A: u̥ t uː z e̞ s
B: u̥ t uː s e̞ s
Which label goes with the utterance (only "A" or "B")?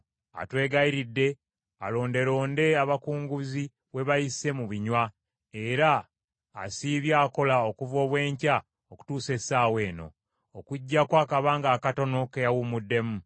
B